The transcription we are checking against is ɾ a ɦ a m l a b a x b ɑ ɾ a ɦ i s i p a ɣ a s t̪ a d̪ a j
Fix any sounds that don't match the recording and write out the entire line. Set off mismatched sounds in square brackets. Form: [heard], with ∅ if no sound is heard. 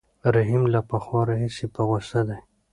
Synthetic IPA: ɾ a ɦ [i] m l a [p] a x [w] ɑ ɾ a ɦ i s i p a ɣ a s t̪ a d̪ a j